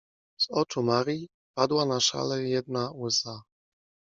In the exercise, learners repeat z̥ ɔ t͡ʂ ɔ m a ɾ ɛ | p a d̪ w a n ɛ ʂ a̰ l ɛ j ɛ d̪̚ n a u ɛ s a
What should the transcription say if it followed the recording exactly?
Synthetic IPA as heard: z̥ ɔ t͡ʂ u m a ɾ i | p a d̪ w a n a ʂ a̰ l ɛ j ɛ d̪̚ n a u ɛ s a